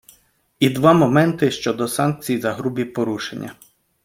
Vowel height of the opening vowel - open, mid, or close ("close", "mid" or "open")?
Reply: close